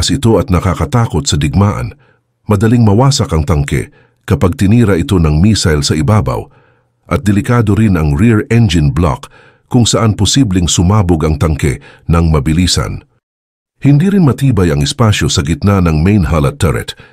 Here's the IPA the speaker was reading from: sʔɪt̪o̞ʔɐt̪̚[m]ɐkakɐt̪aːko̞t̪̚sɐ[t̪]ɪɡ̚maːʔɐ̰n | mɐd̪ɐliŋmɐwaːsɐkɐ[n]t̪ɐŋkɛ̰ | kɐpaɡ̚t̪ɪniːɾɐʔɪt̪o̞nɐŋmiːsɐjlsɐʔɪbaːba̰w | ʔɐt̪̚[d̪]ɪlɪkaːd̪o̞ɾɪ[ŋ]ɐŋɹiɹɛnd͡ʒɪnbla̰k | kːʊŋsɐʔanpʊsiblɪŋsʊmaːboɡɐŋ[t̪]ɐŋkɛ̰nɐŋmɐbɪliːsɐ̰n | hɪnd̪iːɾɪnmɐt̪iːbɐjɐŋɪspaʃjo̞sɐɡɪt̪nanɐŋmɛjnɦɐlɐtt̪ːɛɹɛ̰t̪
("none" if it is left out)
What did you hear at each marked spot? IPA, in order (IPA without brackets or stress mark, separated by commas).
n, d̪, ŋ, d̪, n, t̪